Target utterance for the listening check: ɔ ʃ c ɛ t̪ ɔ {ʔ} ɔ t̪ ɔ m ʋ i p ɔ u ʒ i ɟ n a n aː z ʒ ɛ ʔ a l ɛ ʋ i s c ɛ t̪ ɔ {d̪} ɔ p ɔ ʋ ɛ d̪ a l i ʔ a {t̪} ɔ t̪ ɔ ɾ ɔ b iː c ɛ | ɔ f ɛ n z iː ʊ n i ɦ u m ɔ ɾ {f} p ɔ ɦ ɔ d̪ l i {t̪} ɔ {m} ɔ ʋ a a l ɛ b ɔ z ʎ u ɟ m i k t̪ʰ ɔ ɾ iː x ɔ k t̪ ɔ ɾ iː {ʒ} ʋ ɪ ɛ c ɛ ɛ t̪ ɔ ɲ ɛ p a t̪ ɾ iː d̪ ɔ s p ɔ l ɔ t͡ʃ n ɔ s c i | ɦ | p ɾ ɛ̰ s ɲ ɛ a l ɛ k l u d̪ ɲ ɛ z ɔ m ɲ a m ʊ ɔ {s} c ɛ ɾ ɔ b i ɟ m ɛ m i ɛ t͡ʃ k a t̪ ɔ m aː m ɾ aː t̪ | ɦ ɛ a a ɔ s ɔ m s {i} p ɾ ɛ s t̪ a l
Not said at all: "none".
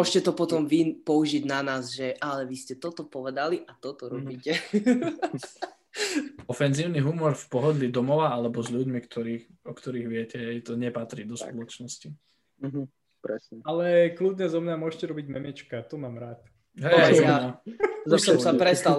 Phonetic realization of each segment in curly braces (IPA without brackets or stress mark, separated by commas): p, t̪, t̪, f, d̪, m, ɣ, ʃ, a